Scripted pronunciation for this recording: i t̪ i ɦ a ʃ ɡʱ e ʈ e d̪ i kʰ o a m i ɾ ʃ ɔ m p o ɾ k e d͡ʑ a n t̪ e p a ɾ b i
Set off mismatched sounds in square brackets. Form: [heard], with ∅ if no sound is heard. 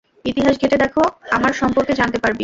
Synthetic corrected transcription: i t̪ i ɦ a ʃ ɡʱ e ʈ e d̪ [ɛ] kʰ o a m [a] ɾ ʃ ɔ m p o ɾ k e d͡ʑ a n t̪ e p a ɾ b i